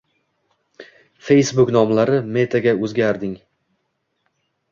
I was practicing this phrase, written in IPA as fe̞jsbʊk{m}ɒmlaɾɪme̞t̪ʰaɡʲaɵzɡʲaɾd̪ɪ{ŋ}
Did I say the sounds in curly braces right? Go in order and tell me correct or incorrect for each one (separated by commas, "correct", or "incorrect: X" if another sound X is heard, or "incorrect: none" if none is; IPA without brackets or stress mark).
incorrect: n, correct